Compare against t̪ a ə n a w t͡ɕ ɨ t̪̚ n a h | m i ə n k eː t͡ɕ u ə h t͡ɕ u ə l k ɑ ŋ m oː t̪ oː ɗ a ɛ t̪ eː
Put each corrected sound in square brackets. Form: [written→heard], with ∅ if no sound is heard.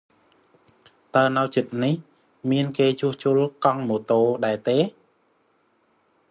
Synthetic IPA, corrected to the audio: t̪ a ə n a w t͡ɕ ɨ t̪̚ n [a→i] h | m i ə n k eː t͡ɕ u ə h t͡ɕ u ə l k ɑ ŋ m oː t̪ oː ɗ a ɛ t̪ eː